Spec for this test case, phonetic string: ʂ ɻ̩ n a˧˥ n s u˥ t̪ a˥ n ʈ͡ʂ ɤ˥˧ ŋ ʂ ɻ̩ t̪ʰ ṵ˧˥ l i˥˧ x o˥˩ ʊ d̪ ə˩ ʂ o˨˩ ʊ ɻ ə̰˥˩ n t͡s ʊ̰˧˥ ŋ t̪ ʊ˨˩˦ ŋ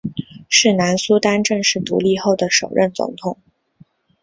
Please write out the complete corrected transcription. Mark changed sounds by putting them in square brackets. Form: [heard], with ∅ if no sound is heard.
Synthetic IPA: ʂ ɻ̩ n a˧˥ n s u˥ t̪ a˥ n ʈ͡ʂ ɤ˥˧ ŋ ʂ ɻ̩ [t̪] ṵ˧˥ l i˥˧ x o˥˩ ʊ d̪ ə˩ ʂ o˨˩ ʊ ɻ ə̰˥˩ n t͡s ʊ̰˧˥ ŋ [t̪ʰ] ʊ˨˩˦ ŋ